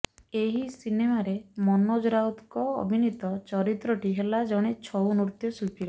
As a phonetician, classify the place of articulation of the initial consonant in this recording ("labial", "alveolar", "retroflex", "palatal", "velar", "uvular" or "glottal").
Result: glottal